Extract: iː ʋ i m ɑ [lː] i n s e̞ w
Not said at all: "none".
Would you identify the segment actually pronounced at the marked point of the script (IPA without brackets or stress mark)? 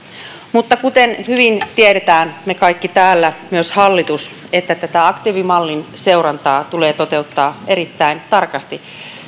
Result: lː